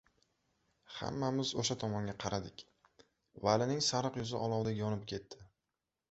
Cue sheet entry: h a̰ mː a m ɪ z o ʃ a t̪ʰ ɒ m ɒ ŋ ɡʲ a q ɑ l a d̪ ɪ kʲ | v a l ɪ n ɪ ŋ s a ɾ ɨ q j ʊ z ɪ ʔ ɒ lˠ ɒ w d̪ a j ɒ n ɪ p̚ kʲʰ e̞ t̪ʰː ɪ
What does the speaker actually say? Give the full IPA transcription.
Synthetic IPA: h a̰ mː a m ɪ z o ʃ a t̪ʰ ɒ m ɒ ŋ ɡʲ a qʰ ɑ ɾ a d̪ ɪ kʲ | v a l ɪ n ɪ ŋ s a ɾ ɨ q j ʊ z ɪ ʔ ɒ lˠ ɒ w d̪ a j ɒ n ɪ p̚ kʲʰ e̞ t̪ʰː ɪ